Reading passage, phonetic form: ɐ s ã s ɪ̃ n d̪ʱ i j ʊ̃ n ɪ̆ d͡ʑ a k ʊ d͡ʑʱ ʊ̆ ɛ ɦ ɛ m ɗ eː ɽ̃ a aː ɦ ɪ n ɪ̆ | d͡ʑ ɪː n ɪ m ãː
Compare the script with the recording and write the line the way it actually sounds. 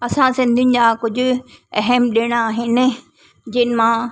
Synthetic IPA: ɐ s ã s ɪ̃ n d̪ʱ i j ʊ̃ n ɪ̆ d͡ʑ a k ʊ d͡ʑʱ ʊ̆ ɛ ɦ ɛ m ɗ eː ɽ̃ a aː ɦ ɪ n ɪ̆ | d͡ʑ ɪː n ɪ m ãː